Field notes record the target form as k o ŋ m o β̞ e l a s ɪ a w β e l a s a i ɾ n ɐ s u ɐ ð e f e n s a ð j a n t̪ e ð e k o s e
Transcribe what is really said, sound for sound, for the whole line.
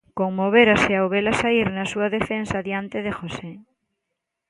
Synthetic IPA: k o ŋ m o β̞ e ɾ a s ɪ a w β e l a s a i ɾ n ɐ s u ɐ ð e f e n s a ð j a n t̪ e ð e x o s e